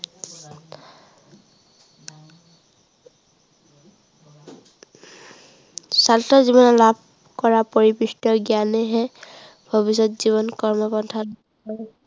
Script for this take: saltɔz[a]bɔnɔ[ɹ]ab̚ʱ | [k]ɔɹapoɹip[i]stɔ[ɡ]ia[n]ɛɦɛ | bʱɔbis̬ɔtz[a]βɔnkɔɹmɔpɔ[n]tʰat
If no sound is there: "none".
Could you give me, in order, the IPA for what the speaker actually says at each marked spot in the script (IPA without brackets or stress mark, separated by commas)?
i, l, k, i, ɡ, n, i, n